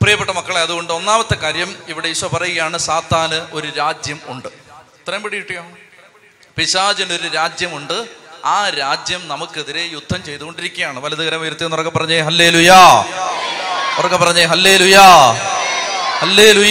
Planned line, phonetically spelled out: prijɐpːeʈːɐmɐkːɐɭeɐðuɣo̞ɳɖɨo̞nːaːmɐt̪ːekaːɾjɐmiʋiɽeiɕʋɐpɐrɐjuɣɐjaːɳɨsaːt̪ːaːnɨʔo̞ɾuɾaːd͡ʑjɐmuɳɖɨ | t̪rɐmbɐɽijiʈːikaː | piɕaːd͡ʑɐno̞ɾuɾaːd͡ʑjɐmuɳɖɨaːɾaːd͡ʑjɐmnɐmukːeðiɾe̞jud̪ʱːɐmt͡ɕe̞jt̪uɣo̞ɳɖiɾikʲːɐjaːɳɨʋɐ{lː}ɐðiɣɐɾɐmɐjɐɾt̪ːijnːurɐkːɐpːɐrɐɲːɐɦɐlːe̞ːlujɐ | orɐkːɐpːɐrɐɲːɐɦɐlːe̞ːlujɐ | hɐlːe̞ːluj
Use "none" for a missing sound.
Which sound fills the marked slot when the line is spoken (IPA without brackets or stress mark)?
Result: l